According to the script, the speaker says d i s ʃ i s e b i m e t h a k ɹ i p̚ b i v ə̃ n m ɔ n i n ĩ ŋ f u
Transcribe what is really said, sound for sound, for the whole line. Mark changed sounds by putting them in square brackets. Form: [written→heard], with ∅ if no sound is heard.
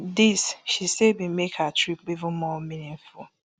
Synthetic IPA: d i s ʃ i s e b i m e [t→k] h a [k→t] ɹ i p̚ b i v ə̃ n m ɔ [n→m] i n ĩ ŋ f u